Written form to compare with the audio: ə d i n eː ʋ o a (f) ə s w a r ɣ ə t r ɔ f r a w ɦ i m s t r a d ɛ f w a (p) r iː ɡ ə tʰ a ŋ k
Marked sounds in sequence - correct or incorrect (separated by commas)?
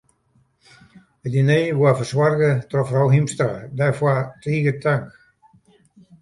correct, incorrect